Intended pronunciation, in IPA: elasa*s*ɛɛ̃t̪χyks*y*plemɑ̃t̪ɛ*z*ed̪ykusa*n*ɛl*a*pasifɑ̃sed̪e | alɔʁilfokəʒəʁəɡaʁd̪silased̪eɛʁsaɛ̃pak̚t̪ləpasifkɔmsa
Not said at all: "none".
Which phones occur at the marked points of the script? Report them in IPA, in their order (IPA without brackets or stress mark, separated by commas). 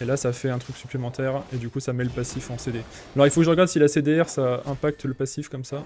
f, y, ʁ, m, ə